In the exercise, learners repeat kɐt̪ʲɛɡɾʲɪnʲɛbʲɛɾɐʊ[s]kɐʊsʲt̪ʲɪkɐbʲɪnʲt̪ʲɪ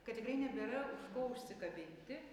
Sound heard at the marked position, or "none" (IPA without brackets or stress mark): ʃ